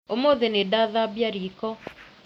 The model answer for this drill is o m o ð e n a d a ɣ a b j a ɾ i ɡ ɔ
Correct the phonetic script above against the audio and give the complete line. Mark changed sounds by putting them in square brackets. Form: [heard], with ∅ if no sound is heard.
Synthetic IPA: o m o ð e n [e] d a [ð] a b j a ɾ i [k] ɔ